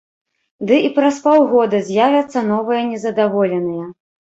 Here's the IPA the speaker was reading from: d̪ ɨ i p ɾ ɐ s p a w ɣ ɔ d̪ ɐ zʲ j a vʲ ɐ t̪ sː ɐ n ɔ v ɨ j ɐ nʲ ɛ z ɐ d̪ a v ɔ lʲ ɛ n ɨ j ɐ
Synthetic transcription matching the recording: d̪ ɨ i p ɾ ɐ s p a w ɣ ɔ d̪ ɐ zʲ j a vʲ ɐ t̪ sː ɐ n ɔ v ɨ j ɐ nʲ ɛ z ɐ d̪ a v ɔ lʲ ɛ n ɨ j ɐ